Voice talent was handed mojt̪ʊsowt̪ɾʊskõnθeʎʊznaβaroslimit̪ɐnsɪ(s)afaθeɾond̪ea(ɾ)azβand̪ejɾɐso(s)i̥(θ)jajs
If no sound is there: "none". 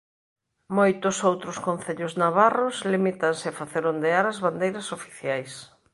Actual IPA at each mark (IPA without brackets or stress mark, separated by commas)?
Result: none, ɾ, f, θ